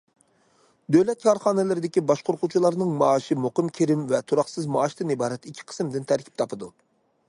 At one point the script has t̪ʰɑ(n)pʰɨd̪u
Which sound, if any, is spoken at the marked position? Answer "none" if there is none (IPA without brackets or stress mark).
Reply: none